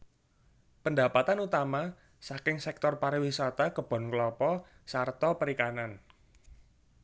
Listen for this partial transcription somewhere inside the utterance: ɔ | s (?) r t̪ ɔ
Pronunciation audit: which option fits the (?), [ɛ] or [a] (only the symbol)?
a